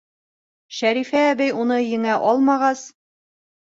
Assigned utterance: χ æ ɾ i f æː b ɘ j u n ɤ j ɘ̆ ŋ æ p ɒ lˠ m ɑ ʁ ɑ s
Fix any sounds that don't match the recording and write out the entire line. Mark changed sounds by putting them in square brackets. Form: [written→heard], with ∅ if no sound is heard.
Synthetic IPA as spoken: [χ→ʃ] æ ɾ i f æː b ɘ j u n ɤ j ɘ̆ ŋ æ [p→ʔ] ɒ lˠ m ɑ ʁ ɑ s